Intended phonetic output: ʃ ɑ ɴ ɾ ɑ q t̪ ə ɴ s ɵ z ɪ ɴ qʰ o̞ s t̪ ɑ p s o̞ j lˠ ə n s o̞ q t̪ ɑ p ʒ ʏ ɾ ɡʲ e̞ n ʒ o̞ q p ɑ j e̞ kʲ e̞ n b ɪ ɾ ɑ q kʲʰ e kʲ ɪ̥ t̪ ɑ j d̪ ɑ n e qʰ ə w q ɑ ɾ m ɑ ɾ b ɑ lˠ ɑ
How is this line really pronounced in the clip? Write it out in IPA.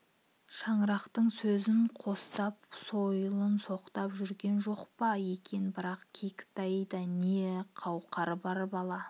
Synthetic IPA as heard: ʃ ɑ ɴ ɾ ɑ q t̪ ə ɴ s ɵ z ɪ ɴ qʰ o̞ s t̪ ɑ p s o̞ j lˠ ə n s o̞ q t̪ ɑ p ʒ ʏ ɾ ɡʲ e̞ n ʒ o̞ q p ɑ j e̞ kʲ e̞ n b ɪ ɾ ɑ q kʲʰ e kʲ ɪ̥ t̪ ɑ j d̪ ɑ n e qʰ ɑ w q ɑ ɾ b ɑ ɾ b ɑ lˠ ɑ